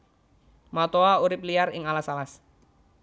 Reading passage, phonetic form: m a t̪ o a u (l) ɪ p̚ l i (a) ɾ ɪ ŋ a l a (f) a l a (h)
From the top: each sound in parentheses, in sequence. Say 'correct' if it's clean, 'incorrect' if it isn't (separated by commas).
incorrect, correct, incorrect, incorrect